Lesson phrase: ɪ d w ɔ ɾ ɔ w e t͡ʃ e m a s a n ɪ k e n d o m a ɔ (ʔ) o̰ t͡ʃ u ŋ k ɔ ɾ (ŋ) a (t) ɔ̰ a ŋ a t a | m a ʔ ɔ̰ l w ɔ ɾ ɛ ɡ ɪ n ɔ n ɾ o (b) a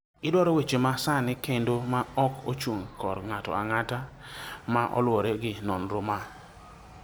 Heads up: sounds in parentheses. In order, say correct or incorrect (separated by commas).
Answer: incorrect, correct, correct, incorrect